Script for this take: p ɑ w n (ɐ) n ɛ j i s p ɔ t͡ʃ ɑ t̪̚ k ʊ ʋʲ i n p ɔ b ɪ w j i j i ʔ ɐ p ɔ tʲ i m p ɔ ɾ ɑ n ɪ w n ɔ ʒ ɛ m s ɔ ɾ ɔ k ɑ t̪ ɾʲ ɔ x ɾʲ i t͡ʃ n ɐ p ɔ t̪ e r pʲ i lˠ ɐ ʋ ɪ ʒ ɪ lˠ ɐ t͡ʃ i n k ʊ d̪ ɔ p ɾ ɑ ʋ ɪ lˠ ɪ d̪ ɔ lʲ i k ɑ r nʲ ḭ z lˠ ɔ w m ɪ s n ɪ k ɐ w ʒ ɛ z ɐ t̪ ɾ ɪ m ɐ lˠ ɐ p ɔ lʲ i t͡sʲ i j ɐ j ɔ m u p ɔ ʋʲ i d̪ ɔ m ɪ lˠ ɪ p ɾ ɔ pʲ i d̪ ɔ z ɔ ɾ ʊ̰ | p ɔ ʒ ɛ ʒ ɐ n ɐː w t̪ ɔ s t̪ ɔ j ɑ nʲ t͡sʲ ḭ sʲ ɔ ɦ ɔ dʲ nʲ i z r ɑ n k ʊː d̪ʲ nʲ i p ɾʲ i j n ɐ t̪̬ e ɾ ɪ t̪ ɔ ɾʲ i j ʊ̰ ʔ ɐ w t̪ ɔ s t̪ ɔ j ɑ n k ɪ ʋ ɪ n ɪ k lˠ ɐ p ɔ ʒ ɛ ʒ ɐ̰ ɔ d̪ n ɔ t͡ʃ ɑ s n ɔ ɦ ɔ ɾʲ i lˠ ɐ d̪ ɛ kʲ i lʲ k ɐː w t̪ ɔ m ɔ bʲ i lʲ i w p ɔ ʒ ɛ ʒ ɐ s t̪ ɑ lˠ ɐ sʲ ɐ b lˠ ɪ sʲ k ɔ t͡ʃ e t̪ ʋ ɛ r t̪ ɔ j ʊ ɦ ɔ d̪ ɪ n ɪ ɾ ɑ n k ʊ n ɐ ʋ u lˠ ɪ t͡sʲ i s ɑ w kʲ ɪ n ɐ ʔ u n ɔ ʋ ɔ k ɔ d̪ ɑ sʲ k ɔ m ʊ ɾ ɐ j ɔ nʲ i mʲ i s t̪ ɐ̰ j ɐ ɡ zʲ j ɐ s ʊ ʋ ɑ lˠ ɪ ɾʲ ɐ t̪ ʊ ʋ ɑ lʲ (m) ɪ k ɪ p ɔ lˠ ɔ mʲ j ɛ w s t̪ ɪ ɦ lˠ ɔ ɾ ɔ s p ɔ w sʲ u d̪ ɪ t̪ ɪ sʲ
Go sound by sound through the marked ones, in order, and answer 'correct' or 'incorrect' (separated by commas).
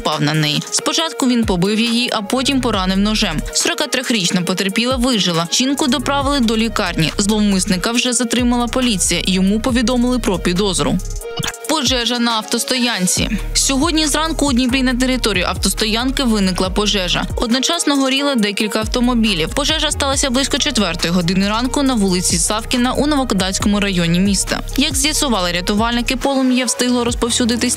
correct, incorrect